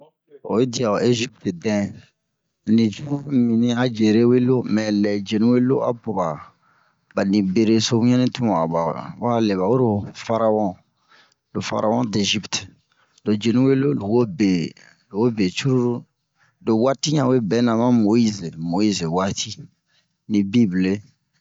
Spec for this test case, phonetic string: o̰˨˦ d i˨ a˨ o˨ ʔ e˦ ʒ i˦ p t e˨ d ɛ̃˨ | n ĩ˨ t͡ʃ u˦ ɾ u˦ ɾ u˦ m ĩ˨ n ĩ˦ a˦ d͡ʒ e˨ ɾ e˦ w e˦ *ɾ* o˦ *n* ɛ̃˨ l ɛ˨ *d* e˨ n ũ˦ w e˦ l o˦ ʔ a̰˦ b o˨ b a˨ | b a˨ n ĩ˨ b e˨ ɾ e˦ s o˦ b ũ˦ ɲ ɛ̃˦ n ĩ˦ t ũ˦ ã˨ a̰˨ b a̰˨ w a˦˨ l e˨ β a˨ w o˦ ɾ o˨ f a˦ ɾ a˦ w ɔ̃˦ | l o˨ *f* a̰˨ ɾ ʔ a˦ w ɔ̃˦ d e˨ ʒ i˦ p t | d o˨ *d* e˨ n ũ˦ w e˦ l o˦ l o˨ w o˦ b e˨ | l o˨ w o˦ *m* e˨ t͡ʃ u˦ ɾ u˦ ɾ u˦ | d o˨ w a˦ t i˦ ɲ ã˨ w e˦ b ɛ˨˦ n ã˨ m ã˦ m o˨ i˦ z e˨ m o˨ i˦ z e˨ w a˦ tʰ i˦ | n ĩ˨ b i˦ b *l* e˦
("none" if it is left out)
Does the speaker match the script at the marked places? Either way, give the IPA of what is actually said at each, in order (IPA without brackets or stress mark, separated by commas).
l, m, d͡ʒ, f, d͡ʒ, b, l